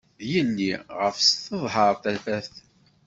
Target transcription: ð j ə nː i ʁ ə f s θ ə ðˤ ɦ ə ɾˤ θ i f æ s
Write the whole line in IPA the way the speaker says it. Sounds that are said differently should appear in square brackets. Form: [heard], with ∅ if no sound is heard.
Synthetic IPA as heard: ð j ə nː i ʁ ə f s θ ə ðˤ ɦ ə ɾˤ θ [æ] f æ [θ]